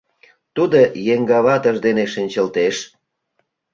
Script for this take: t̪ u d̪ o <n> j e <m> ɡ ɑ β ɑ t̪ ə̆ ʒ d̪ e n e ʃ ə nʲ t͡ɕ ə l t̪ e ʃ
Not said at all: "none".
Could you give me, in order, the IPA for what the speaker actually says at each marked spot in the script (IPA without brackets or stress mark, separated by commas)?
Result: none, ŋ